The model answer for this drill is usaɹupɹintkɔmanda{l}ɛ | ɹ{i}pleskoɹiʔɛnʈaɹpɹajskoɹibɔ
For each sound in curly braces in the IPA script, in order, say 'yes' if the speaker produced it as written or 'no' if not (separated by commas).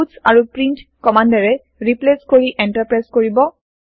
no, yes